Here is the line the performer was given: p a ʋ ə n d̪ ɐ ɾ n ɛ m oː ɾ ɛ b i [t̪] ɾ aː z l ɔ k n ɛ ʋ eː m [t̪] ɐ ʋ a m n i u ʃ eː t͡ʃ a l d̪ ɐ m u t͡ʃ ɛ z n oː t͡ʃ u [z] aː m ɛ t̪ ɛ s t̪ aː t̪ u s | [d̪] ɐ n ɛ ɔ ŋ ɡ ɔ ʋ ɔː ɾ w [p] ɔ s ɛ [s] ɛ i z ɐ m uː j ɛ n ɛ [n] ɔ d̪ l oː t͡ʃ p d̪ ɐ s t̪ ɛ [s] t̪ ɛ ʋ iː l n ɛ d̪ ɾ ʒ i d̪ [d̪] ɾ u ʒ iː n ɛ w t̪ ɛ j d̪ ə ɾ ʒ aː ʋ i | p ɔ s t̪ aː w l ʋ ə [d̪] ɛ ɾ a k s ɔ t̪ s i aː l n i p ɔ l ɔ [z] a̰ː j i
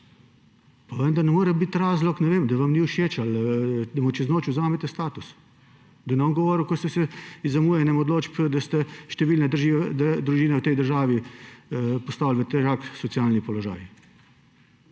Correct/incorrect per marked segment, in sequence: correct, incorrect: d̪, correct, correct, incorrect: k, correct, incorrect: m, incorrect: ʃ, correct, incorrect: t̪, incorrect: ʒ

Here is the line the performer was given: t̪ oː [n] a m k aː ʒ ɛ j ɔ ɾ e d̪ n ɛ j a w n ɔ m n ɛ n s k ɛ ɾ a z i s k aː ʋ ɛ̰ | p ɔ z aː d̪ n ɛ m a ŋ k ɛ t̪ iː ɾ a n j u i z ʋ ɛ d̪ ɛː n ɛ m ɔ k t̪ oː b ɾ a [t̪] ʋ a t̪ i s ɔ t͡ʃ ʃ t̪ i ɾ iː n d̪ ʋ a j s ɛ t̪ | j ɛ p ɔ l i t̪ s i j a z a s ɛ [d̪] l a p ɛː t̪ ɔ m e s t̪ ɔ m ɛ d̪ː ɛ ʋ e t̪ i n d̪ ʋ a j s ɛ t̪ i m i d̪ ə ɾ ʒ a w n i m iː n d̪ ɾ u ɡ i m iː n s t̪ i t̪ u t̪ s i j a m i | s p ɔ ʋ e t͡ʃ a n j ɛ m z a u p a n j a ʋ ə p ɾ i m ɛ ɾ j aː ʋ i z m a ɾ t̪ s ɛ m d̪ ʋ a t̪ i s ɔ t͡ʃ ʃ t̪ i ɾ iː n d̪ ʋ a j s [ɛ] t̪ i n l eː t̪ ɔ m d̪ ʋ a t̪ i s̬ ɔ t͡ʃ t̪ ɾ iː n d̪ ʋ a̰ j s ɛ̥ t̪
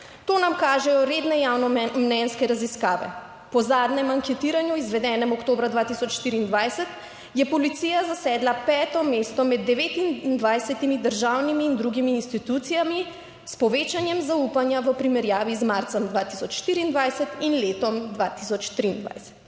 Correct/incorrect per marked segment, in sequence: correct, incorrect: d̪, correct, correct

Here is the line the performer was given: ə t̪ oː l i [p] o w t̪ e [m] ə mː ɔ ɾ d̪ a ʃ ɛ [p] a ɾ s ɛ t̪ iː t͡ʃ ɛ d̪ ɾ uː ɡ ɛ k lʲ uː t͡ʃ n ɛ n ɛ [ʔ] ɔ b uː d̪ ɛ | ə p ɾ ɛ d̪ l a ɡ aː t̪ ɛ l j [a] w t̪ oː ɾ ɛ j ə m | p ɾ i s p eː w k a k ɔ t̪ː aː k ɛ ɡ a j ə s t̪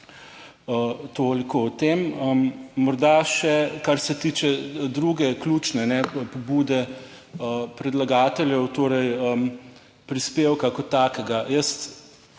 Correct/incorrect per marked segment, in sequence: incorrect: k, correct, incorrect: k, incorrect: p, incorrect: ɛ

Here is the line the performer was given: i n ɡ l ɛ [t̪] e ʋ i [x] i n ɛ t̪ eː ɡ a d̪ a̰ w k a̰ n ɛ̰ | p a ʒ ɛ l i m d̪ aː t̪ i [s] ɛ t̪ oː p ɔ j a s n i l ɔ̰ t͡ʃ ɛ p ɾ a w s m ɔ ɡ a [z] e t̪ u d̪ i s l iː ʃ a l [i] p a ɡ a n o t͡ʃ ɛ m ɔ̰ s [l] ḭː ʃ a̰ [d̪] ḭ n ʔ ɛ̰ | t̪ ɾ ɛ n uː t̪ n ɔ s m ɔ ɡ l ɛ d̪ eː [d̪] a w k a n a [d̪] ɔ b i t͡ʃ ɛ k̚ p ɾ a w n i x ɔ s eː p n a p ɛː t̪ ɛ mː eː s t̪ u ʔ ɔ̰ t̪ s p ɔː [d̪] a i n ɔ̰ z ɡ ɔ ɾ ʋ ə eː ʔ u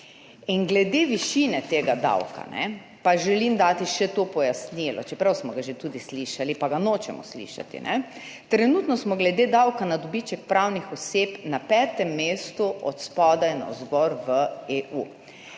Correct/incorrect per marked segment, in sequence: incorrect: d̪, incorrect: ʃ, incorrect: ʃ, incorrect: ʒ, correct, correct, incorrect: t̪, correct, correct, correct

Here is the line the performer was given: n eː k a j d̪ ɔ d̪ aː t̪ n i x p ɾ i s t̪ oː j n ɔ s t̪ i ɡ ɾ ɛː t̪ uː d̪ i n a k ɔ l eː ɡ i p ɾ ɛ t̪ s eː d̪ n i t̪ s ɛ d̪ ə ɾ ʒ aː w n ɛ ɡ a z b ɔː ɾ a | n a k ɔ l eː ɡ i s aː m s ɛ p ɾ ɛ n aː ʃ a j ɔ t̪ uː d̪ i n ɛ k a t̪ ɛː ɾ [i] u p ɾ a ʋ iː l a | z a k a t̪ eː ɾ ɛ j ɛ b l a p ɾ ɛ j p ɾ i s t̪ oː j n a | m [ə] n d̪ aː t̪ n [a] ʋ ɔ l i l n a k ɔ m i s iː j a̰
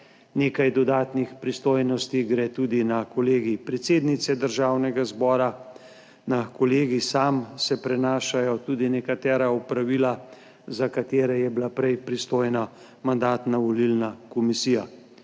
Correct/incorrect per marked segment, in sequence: incorrect: a, incorrect: a, correct

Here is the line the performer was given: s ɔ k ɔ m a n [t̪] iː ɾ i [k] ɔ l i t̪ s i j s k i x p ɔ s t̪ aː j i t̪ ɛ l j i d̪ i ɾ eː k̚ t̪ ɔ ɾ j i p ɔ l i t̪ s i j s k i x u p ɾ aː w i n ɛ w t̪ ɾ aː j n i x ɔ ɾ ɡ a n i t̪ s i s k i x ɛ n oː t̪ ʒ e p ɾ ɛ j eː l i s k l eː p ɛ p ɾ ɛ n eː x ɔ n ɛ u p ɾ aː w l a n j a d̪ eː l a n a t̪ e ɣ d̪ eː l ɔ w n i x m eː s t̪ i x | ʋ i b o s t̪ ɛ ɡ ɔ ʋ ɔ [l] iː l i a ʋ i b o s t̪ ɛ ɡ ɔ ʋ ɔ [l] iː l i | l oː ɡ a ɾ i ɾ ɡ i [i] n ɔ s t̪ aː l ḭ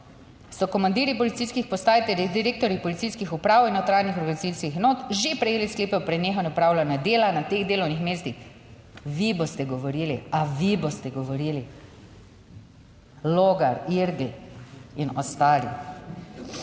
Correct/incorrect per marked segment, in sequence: incorrect: d̪, incorrect: p, incorrect: ɾ, incorrect: ɾ, correct

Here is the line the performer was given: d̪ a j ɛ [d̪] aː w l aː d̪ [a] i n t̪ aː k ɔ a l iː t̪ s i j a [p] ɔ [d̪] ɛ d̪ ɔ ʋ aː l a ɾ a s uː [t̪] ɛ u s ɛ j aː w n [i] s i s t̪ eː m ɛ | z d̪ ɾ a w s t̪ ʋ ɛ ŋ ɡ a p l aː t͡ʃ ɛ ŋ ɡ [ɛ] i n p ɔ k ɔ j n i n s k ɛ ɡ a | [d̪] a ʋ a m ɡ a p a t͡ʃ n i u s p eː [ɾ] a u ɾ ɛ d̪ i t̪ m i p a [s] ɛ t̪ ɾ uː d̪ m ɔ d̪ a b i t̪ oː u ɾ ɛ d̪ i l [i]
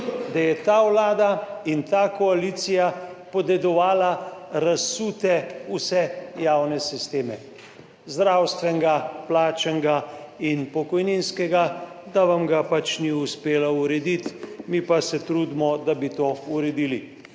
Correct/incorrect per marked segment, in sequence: incorrect: t̪, correct, correct, correct, correct, incorrect: ɛ, incorrect: a, correct, incorrect: l, correct, correct

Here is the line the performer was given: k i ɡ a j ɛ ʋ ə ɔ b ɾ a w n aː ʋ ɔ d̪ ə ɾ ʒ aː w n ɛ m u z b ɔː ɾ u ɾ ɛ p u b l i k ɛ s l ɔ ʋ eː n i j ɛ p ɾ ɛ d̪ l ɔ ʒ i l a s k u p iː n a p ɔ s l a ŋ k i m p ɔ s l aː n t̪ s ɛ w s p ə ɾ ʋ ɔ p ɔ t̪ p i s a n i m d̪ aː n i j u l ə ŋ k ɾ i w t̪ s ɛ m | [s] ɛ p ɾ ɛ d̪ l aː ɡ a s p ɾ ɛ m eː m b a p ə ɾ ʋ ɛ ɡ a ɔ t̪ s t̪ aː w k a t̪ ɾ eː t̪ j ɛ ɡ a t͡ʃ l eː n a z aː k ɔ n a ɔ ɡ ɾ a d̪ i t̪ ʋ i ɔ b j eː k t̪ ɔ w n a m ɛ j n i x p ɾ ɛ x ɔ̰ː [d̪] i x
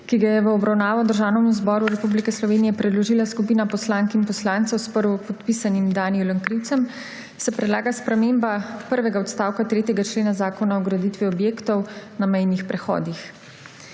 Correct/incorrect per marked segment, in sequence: correct, correct

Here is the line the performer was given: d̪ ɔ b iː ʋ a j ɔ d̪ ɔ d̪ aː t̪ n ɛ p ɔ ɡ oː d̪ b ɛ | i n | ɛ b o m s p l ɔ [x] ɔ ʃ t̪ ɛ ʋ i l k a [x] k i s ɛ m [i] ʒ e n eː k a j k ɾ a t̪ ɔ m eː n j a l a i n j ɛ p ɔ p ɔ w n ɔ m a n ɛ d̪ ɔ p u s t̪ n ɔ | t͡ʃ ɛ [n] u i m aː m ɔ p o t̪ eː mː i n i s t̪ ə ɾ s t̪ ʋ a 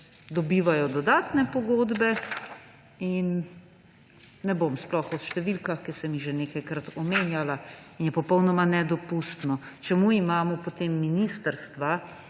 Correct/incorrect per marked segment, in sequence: correct, correct, correct, incorrect: m

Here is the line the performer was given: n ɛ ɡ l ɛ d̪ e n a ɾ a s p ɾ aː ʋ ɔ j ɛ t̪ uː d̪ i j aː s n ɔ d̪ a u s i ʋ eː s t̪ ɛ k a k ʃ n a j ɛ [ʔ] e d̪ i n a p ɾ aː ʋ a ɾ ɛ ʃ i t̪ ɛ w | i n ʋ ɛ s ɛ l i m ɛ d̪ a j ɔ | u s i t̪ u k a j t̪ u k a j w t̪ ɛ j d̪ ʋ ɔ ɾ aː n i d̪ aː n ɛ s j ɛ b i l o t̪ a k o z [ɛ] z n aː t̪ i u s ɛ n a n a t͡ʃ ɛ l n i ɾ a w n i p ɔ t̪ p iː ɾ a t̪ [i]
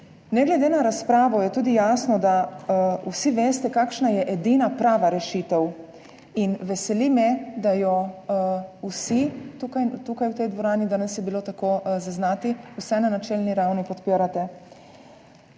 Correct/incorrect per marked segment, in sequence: correct, incorrect: a, incorrect: ɛ

